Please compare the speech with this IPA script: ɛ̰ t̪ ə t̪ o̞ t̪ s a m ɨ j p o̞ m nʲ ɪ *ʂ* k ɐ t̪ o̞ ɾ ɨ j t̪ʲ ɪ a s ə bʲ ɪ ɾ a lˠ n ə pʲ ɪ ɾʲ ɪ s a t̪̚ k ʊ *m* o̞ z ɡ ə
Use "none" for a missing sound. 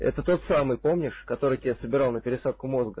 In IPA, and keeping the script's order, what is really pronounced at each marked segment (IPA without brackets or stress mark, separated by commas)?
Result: ʂ, m